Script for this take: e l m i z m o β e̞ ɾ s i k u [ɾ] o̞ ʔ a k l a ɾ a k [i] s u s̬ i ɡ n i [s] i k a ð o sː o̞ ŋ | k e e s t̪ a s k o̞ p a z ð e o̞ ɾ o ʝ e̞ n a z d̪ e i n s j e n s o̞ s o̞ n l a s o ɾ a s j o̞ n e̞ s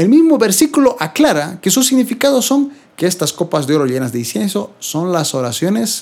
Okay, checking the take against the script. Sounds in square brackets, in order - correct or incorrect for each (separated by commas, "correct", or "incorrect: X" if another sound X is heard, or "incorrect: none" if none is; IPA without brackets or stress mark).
incorrect: l, incorrect: e, incorrect: f